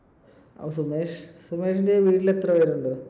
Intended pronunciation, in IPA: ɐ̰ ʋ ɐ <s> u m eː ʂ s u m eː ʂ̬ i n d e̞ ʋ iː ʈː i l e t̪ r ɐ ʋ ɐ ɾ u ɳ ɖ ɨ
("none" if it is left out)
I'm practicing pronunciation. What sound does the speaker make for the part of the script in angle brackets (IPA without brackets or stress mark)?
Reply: s